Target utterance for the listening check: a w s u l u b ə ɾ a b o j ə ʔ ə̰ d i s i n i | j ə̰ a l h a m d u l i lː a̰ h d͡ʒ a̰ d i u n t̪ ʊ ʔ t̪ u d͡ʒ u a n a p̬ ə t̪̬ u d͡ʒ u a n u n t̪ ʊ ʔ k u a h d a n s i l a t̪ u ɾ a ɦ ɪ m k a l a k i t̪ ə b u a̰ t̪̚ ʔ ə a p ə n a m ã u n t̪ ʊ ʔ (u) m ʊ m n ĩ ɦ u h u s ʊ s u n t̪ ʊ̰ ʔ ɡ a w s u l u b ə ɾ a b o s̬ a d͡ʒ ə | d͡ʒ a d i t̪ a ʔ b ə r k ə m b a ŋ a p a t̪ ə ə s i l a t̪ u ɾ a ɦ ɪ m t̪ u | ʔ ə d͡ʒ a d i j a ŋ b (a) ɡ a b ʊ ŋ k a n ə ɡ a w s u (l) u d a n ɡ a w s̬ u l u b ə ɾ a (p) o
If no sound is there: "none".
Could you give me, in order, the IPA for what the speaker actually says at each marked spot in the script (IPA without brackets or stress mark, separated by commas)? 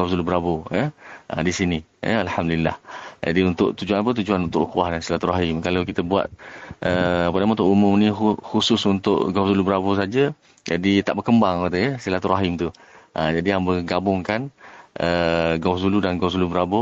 u, ə, l, b